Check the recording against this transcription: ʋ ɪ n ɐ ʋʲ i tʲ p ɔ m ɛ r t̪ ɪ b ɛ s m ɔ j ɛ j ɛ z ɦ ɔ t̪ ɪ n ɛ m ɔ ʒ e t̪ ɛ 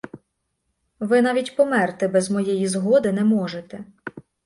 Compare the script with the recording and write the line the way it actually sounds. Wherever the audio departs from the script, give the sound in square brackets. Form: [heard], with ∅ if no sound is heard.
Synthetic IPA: ʋ ɪ n [ɑ] ʋʲ i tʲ p ɔ m ɛ r t̪ ɪ b ɛ [z] m ɔ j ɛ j [i] z ɦ ɔ [d̪] ɪ n ɛ m ɔ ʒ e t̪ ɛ

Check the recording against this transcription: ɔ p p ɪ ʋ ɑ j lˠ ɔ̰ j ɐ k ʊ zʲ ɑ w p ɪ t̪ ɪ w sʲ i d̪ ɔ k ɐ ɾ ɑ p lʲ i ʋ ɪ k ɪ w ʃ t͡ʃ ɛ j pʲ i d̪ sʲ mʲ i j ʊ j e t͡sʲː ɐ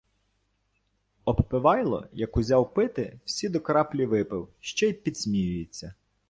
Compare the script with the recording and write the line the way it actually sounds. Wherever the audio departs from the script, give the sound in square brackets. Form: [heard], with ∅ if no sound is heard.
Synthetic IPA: ɔ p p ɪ ʋ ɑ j lˠ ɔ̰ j ɐ k ʊ zʲ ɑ w p ɪ t̪ ɪ w sʲ i d̪ ɔ k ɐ ɾ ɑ p lʲ i ʋ ɪ [p] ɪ w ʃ t͡ʃ ɛ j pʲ i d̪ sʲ mʲ i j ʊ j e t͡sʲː ɐ

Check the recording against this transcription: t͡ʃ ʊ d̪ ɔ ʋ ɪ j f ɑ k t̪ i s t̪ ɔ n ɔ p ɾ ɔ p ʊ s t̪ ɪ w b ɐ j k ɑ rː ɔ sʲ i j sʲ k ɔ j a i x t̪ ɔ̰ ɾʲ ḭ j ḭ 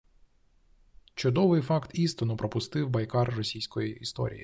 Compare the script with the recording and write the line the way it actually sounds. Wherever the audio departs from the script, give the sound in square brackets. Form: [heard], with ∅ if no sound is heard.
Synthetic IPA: t͡ʃ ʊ d̪ ɔ ʋ ɪ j f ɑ k t̪ i s t̪ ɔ n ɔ p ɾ ɔ p ʊ s t̪ ɪ w b ɐ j k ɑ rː ɔ sʲ i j sʲ k ɔ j [i] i [s] t̪ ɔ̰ ɾʲ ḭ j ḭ

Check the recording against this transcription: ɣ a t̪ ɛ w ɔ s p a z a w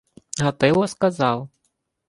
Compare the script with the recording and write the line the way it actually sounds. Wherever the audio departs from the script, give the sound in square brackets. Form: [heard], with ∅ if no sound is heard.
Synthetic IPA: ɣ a t̪ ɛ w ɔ s [k] a z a w

